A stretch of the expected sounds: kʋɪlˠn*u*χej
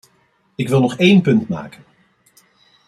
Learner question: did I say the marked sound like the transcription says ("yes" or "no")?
no